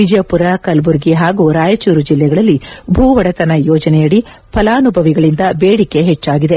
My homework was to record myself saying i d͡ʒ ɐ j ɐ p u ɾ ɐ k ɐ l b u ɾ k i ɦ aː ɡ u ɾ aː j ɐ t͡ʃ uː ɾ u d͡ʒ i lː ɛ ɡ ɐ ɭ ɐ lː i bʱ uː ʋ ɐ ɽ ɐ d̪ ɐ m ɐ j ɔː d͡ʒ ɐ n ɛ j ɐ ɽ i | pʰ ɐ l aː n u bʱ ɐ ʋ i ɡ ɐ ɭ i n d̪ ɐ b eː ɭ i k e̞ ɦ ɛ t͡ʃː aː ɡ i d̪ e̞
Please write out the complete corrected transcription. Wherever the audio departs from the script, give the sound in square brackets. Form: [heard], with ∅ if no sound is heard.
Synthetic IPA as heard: i d͡ʒ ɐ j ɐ p u ɾ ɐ k ɐ l b u ɾ [ɡ] i ɦ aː ɡ u ɾ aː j ɐ t͡ʃ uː ɾ u d͡ʒ i lː ɛ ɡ ɐ ɭ ɐ lː i bʱ uː ʋ ɐ ɽ ɐ [t̪] ɐ [n] ɐ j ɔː d͡ʒ ɐ n ɛ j ɐ ɽ i | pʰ ɐ l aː n u bʱ ɐ ʋ i ɡ ɐ ɭ i n d̪ ɐ b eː [ɽ] i k e̞ ɦ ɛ t͡ʃː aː ɡ i d̪ e̞